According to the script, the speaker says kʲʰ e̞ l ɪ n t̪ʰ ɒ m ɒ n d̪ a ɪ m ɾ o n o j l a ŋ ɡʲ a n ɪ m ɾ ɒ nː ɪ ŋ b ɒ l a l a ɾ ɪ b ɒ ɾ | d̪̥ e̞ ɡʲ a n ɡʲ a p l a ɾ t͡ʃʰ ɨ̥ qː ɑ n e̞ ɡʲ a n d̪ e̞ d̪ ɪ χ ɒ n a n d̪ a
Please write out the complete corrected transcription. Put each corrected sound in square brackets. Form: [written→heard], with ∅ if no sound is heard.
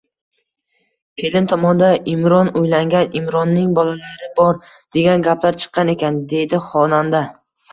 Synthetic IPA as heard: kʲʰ e̞ l ɪ n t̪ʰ ɒ m ɒ n d̪ a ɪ m ɾ [o→ɒ] n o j l a ŋ ɡʲ a n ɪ m ɾ ɒ nː ɪ ŋ b ɒ l a l a ɾ ɪ b ɒ ɾ | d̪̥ e̞ ɡʲ a n ɡʲ a p l a ɾ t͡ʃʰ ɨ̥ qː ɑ n e̞ [ɡʲ→kʲ] a n d̪ e̞ d̪ ɪ χ ɒ n a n d̪ a

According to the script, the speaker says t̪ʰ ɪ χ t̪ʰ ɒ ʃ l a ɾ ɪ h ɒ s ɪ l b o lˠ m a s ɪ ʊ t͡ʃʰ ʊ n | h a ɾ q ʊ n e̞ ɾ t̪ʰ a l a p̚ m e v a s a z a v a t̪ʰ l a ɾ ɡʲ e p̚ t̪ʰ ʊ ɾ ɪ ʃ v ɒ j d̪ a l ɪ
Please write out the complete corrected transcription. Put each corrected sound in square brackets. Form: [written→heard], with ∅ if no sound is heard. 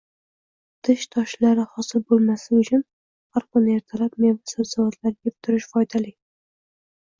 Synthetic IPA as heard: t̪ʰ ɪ [χ→ʃ] t̪ʰ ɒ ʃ l a ɾ ɪ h ɒ s ɪ l b o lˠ m a s ɪ ʊ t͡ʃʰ ʊ n | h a ɾ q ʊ n e̞ ɾ t̪ʰ a l a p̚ m e v a s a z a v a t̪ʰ l a ɾ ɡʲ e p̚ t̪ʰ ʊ ɾ ɪ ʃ [v→f] ɒ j d̪ a l ɪ

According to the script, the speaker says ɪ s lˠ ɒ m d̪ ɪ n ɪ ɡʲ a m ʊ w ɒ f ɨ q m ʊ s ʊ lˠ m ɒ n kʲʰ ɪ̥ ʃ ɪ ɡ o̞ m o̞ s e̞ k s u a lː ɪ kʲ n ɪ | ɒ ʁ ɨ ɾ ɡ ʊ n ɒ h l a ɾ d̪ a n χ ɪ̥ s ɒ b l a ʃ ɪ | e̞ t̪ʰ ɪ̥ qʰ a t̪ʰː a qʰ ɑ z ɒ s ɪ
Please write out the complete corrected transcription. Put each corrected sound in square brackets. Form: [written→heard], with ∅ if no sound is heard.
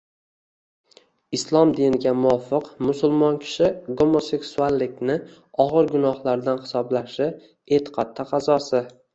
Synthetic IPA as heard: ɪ s lˠ ɒ m d̪ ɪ n ɪ ɡʲ a m ʊ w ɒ f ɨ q m ʊ s ʊ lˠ m ɒ n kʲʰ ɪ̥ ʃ ɪ ɡ o̞ m o̞ s e̞ k s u a lː ɪ kʲ n ɪ | ɒ ʁ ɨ ɾ ɡ ʊ n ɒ h l a ɾ d̪ a n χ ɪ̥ s ɒ b l a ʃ ɪ | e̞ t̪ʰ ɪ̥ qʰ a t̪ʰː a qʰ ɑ z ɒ s ɪ

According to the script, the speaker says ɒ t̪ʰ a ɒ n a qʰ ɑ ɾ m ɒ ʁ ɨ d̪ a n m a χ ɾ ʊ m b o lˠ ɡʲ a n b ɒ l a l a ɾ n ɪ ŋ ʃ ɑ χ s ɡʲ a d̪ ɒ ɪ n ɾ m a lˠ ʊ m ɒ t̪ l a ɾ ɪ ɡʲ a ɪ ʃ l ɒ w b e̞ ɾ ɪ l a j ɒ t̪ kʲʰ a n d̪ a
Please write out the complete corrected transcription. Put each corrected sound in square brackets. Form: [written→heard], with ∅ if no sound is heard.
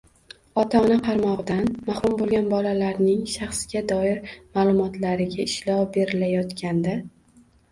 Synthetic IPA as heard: ɒ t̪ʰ a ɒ n a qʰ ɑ ɾ m ɒ ʁ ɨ d̪ a n m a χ ɾ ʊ m b o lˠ ɡʲ a n b ɒ l a l a ɾ n ɪ ŋ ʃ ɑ χ s ɡʲ a d̪ ɒ ɪ [n→∅] ɾ m a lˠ ʊ m ɒ t̪ l a ɾ ɪ ɡʲ a ɪ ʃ l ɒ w b e̞ ɾ ɪ l a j ɒ t̪ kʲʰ a n d̪ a

